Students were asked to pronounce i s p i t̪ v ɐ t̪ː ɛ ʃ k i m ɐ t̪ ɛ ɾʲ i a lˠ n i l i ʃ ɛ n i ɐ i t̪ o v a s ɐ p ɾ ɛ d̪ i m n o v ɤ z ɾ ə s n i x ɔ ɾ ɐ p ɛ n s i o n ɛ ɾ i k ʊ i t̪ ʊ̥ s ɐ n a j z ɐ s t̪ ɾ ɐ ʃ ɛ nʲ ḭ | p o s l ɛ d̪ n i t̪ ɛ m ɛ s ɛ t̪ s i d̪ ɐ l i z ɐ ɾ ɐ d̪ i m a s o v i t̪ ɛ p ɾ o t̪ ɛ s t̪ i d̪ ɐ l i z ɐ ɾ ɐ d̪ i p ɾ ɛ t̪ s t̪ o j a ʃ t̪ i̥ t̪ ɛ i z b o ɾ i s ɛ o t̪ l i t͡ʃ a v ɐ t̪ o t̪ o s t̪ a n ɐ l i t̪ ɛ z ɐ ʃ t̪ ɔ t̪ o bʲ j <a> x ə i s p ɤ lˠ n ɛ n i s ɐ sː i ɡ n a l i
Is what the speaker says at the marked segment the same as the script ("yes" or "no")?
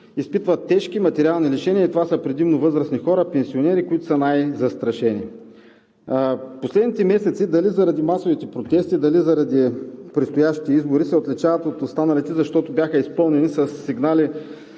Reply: yes